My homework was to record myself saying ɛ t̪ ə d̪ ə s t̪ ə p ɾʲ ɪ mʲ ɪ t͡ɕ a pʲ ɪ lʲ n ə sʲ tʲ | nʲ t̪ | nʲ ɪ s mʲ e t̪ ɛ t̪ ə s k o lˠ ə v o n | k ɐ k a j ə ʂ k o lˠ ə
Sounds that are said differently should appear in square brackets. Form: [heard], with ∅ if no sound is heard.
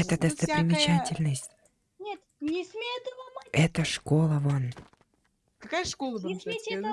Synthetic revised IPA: ɛ t̪ ə d̪ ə s t̪ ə p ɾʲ ɪ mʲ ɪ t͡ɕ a [tʲ] ɪ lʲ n ə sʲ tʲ | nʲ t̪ | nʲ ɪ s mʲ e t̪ ɛ t̪ ə [ʂ] k o lˠ ə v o n | k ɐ k a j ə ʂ k o lˠ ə

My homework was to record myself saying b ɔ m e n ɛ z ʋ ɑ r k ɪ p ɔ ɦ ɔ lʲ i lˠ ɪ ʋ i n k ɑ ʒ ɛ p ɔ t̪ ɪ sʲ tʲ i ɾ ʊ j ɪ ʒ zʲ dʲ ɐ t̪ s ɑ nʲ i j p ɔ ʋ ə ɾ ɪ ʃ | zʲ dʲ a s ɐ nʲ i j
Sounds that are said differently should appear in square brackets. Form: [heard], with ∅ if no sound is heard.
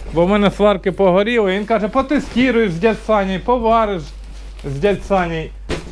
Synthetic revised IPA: b ɔ m [ɛ] n ɛ [s] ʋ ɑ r k ɪ p ɔ ɦ ɔ [ɾʲ] i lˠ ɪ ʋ i n k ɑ ʒ ɛ p ɔ t̪ ɪ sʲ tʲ i ɾ ʊ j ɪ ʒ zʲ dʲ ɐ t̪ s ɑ nʲ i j p ɔ ʋ [ɑ] ɾ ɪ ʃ | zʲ dʲ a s [ɑ] nʲ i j

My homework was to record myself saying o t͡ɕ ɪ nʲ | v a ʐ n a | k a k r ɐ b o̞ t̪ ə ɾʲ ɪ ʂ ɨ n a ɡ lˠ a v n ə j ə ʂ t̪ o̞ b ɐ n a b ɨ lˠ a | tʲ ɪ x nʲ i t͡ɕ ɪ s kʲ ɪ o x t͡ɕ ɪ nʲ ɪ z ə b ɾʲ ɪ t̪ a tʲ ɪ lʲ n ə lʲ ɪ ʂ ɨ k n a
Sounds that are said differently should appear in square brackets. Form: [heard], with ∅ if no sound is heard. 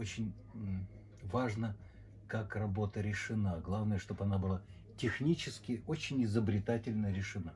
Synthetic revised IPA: o t͡ɕ ɪ nʲ | v a ʐ n [ə] | k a k r ɐ b o̞ t̪ ə ɾʲ ɪ ʂ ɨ n a ɡ lˠ a v n ə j ə ʂ t̪ o̞ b ɐ n a b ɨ lˠ a | tʲ ɪ x nʲ i t͡ɕ ɪ s kʲ ɪ o [∅] t͡ɕ ɪ nʲ ɪ z ə b ɾʲ ɪ t̪ a tʲ ɪ lʲ n ə [ɾʲ] ɪ ʂ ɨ [∅] n a

